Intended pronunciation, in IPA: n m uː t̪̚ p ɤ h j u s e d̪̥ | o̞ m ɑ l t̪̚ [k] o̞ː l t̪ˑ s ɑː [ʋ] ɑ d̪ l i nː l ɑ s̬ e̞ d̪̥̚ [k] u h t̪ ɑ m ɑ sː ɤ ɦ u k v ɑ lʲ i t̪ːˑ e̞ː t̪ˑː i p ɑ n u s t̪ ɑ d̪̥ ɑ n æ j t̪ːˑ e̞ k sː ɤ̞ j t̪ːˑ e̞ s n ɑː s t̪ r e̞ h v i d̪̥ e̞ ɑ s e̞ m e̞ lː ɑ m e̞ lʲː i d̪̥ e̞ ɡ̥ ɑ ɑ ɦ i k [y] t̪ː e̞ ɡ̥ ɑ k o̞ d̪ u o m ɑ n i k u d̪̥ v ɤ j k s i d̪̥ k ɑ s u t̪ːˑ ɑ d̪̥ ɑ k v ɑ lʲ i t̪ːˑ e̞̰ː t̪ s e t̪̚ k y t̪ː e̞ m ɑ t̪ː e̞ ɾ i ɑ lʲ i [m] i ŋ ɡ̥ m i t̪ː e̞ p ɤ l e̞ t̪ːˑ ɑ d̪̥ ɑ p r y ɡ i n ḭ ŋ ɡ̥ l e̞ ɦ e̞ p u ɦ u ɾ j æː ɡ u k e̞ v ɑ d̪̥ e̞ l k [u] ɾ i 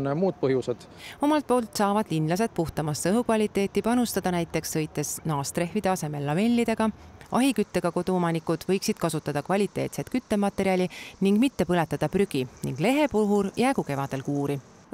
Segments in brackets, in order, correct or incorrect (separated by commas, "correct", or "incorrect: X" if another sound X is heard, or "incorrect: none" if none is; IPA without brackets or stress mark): incorrect: p, incorrect: v, incorrect: p, correct, incorrect: n, incorrect: uː